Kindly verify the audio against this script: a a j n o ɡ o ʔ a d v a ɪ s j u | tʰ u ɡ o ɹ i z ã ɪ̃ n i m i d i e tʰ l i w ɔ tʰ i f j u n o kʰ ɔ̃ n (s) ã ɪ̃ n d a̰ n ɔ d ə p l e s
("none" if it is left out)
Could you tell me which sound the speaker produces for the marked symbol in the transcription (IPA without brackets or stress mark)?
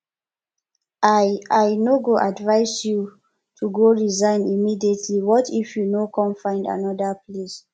f